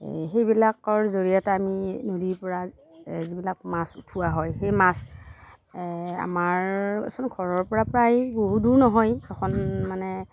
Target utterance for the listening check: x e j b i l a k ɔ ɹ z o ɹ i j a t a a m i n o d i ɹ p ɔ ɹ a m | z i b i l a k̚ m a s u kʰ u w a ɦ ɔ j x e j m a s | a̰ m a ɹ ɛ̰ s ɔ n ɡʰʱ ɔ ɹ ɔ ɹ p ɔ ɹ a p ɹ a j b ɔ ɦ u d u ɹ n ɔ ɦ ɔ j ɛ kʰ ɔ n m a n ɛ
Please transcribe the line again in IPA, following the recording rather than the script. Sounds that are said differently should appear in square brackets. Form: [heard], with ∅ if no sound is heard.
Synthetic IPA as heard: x e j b i l a k ɔ ɹ z o ɹ i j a t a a m i n o d i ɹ p ɔ ɹ a [∅] | z i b i l a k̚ m a s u [tʰ] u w a ɦ ɔ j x e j m a s | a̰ m a ɹ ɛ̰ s ɔ n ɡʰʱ ɔ ɹ ɔ ɹ p ɔ ɹ a p ɹ a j b [o] ɦ u d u ɹ n ɔ ɦ ɔ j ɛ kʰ ɔ n m a n ɛ